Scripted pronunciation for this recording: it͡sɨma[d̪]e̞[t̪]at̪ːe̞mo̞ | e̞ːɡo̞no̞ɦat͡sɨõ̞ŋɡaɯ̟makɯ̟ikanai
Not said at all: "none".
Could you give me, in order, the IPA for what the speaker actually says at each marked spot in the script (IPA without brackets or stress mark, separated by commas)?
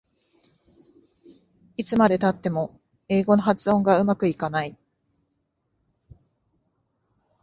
d̪, t̪